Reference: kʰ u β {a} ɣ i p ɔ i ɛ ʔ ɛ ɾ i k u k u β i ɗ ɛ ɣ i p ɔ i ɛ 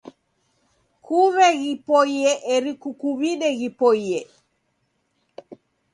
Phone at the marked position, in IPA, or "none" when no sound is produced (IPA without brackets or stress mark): ɛ